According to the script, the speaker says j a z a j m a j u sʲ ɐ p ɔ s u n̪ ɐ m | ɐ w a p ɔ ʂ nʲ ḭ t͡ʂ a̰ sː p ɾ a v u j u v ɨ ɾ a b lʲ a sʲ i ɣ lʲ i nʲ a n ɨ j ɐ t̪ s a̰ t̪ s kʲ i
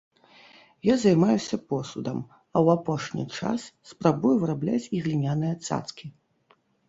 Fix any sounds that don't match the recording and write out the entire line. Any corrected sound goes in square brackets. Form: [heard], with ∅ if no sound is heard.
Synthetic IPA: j a z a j m a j u sʲ ɐ p ɔ s u [d̪] ɐ m | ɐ w a p ɔ ʂ nʲ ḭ t͡ʂ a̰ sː p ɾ a [b] u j u v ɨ ɾ a b lʲ a [t͡sʲ] i ɣ lʲ i nʲ a n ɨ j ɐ t̪ s a̰ t̪ s kʲ i